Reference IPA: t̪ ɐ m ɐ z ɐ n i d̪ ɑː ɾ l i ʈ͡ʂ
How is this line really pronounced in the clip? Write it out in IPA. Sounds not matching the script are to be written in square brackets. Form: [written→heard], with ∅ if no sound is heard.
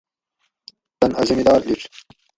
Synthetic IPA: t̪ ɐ [m→n] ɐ z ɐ [n→m] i d̪ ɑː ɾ l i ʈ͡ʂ